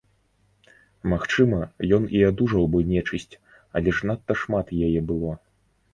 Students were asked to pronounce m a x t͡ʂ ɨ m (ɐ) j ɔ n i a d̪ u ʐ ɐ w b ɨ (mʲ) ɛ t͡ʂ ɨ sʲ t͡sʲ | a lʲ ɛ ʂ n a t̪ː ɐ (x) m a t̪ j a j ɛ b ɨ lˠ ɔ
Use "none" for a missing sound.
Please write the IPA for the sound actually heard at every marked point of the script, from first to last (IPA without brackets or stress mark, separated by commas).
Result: ɐ, nʲ, ʂ